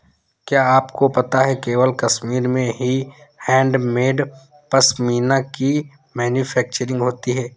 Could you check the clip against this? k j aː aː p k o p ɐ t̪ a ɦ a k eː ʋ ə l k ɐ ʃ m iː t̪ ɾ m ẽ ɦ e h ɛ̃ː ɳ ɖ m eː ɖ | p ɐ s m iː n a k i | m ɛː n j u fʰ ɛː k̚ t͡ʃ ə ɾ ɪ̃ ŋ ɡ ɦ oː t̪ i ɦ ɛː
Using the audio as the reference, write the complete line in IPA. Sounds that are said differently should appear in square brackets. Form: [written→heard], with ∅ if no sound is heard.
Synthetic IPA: k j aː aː p k o p ɐ t̪ a ɦ [a→ɛ] k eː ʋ ə l k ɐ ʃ m iː [t̪→∅] ɾ m ẽ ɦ [e→i] h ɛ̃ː ɳ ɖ m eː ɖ | p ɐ s m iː n a k i | m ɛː n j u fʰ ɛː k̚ t͡ʃ ə ɾ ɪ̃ ŋ ɡ ɦ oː t̪ i ɦ ɛː